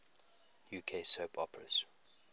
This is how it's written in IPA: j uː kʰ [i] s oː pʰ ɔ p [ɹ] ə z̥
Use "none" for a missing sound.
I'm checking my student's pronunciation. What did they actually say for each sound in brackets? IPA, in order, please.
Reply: e, ɹ

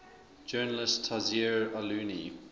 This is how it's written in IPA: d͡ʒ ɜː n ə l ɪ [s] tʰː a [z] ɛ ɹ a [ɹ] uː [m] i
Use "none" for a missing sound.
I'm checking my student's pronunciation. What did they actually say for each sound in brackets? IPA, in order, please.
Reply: s, z, l, n

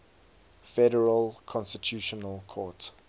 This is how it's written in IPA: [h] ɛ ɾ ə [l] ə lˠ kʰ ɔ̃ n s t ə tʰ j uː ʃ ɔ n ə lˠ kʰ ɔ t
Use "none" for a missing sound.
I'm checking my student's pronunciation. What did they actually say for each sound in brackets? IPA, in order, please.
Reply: f, ɹ

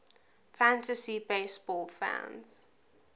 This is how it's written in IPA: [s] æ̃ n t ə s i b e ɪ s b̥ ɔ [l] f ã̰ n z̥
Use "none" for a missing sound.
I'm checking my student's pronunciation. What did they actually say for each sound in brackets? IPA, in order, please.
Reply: f, l

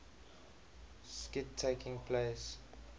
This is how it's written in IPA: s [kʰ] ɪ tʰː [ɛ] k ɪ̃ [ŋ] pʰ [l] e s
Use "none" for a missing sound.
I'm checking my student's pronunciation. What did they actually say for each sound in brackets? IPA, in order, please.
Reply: k, e, ŋ, l

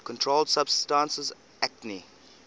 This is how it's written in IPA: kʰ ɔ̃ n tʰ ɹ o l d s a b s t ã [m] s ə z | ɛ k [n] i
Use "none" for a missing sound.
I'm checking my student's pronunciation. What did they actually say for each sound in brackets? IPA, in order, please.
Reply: n, n

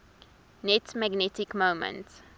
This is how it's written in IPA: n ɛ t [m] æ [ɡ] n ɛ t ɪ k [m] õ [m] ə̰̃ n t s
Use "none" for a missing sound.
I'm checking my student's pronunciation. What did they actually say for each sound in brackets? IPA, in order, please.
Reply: m, ɡ, m, m

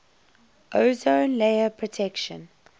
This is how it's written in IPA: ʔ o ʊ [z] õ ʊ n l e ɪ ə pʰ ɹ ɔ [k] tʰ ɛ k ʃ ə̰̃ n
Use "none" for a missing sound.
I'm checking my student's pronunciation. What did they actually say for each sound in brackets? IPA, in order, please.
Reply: z, none

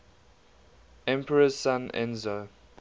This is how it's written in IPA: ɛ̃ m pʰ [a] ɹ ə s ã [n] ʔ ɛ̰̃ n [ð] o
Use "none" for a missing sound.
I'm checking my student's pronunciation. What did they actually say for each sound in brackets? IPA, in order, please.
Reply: ə, n, z

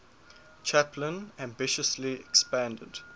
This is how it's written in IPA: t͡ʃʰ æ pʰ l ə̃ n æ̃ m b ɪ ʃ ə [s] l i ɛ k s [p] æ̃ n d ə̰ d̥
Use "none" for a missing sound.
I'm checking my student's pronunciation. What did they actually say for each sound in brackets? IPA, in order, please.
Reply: s, p

